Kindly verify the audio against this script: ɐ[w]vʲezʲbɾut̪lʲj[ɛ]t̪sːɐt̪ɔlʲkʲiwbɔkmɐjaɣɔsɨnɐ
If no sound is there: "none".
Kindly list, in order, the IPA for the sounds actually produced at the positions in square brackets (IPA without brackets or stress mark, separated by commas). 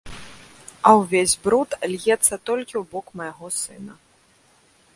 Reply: w, ɛ